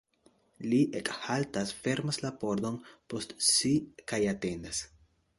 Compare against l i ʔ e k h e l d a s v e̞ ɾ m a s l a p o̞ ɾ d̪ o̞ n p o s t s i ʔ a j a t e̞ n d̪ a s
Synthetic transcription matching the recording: l i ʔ e k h a l t a s f e̞ ɾ m a s l a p o̞ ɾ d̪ o̞ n p o s t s i k a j a t e̞ n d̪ a s